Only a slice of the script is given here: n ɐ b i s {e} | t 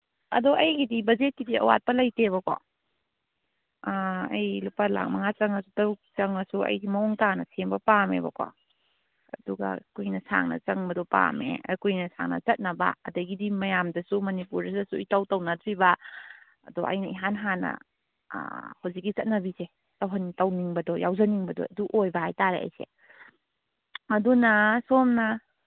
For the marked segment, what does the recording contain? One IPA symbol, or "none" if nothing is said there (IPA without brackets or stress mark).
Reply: e